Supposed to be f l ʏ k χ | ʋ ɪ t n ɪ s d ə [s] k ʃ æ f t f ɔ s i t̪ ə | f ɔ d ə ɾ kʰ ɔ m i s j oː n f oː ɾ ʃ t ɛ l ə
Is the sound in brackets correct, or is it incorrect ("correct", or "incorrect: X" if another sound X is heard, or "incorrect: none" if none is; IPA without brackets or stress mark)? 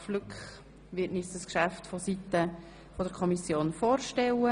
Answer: correct